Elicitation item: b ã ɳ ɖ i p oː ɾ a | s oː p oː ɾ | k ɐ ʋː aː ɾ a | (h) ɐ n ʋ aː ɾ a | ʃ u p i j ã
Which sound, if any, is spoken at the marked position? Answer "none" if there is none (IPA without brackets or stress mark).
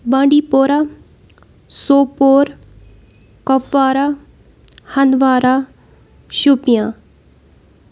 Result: h